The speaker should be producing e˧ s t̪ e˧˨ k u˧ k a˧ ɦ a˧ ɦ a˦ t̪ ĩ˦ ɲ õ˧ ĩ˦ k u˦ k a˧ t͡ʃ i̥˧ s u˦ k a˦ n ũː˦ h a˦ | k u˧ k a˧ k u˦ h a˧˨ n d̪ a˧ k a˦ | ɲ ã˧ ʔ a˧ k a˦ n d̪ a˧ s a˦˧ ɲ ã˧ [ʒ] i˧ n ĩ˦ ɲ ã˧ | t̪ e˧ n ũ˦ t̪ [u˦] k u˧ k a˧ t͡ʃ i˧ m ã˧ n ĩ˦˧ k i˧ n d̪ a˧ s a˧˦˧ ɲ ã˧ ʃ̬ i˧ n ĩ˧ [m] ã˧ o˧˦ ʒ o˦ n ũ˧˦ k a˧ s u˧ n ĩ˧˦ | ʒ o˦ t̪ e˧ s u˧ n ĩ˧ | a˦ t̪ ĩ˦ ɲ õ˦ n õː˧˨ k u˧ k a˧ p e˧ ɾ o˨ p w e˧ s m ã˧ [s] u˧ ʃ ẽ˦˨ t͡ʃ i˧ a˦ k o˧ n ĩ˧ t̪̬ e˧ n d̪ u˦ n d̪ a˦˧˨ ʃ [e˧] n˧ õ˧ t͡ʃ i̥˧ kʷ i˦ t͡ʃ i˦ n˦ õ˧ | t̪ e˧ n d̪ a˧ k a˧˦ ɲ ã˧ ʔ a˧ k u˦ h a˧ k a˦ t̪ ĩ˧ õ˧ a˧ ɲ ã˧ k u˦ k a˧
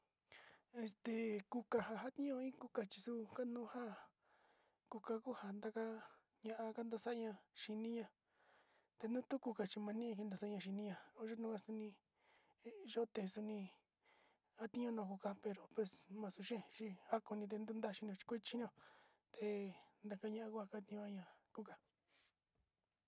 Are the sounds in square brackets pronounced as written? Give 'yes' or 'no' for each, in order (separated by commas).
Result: no, yes, no, yes, no